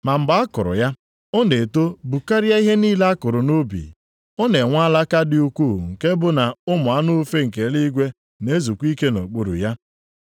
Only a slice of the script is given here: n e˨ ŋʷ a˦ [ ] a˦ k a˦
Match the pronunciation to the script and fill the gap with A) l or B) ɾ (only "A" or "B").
A